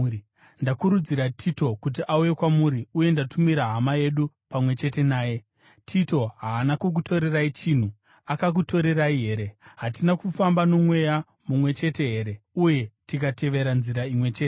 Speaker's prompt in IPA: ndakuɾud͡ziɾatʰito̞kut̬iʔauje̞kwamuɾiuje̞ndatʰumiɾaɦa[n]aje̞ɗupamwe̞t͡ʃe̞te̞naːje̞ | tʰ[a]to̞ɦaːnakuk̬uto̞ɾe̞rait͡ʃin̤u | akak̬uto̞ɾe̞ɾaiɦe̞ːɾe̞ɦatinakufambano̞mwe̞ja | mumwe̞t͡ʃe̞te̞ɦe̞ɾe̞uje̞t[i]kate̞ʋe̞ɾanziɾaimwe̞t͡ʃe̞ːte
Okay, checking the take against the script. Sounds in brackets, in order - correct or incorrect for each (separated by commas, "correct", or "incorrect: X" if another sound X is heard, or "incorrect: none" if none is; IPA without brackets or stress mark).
incorrect: m, incorrect: i, correct